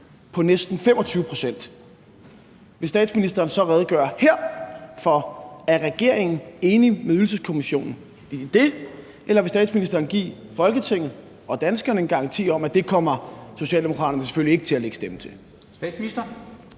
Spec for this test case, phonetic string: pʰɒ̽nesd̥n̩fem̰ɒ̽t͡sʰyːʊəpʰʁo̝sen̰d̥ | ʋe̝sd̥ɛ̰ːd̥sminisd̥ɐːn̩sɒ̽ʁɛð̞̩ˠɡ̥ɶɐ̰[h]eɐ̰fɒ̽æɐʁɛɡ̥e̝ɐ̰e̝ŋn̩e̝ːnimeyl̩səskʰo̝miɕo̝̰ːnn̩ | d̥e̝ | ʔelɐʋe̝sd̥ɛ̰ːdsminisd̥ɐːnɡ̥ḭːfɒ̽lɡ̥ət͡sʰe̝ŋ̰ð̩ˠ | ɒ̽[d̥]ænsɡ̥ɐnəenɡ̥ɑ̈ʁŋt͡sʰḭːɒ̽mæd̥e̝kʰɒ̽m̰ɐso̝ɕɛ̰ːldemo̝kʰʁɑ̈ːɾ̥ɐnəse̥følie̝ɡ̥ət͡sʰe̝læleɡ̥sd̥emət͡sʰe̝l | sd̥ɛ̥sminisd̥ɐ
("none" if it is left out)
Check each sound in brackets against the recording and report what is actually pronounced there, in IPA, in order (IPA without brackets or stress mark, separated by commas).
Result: h, d̥